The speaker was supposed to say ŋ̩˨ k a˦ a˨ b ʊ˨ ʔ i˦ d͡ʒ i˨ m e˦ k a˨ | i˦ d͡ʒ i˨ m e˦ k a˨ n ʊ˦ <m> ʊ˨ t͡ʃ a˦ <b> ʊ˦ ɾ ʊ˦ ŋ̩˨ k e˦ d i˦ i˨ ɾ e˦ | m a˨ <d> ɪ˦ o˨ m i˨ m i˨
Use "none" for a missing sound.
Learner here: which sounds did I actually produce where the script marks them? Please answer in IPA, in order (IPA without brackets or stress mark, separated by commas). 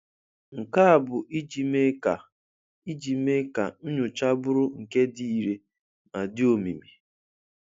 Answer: ɲ, b, d